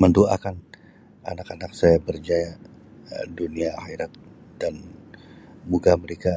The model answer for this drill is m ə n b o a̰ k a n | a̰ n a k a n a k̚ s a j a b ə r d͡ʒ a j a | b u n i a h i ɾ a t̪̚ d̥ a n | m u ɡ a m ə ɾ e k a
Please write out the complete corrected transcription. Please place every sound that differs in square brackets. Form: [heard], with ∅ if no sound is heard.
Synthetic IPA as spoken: m ə n [d] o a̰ k a n | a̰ n a k a n a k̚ s a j a b ə r d͡ʒ a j a | [d] u n i a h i ɾ a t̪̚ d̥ a n | m u ɡ a m ə ɾ e k a